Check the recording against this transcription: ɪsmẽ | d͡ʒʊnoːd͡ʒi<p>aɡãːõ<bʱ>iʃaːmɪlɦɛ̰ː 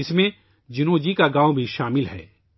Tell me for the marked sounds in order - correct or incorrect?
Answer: incorrect: k, correct

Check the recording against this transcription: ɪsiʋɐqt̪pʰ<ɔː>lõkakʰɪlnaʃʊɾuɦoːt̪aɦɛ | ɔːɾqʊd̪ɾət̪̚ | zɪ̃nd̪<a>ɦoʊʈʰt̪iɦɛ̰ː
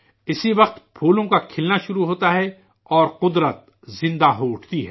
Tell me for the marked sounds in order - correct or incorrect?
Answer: incorrect: uː, correct

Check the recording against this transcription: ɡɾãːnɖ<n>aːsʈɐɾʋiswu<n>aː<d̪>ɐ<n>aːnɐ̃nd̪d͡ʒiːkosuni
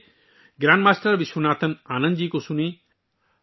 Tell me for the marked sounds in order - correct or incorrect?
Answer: incorrect: m, correct, incorrect: t̪, correct

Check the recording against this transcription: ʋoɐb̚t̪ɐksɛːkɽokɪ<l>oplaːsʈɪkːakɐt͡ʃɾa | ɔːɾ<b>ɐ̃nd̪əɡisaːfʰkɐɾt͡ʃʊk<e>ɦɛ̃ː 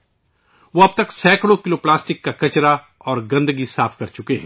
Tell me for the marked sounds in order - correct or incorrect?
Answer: correct, incorrect: ɡ, correct

